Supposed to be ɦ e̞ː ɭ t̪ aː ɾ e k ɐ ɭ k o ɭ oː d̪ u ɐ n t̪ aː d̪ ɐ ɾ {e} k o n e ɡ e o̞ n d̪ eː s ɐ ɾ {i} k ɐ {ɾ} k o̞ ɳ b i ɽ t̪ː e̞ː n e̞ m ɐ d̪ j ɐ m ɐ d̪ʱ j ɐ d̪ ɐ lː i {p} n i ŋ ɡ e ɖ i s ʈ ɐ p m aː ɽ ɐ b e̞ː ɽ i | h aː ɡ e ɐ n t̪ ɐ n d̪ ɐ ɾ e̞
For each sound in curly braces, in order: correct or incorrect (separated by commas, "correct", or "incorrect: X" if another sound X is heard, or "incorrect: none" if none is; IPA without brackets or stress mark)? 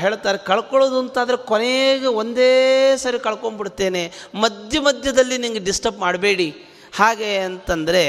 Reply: correct, correct, incorrect: ɭ, incorrect: none